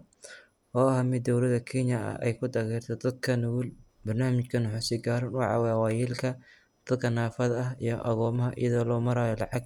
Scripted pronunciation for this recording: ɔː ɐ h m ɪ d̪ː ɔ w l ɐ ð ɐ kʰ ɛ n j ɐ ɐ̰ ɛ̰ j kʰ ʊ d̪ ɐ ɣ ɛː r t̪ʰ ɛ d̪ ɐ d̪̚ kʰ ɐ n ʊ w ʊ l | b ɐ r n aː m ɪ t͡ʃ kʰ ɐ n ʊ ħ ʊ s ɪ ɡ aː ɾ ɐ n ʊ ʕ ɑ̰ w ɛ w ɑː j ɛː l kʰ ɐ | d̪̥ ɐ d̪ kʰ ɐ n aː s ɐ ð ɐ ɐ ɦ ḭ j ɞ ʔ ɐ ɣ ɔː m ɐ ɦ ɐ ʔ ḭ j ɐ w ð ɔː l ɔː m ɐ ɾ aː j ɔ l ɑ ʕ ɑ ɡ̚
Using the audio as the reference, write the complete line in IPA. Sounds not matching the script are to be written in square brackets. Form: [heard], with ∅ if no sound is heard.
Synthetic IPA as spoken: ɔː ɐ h m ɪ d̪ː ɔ w l ɐ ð ɐ kʰ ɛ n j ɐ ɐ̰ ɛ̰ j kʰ ʊ d̪ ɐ ɣ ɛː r t̪ʰ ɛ d̪ ɐ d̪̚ kʰ ɐ n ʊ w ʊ l | b ɐ r n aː m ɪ t͡ʃ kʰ ɐ n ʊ ħ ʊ s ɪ ɡ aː ɾ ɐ n ʊ ʕ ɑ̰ w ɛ w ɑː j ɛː l kʰ ɐ | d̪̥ ɐ d̪ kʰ ɐ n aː [f] ɐ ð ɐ ɐ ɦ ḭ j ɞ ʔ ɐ ɣ ɔː m ɐ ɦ ɐ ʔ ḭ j ɐ [∅] ð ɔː l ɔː m ɐ ɾ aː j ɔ l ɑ ʕ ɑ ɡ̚